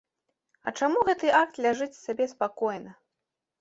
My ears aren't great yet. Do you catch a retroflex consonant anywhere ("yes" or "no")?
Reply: yes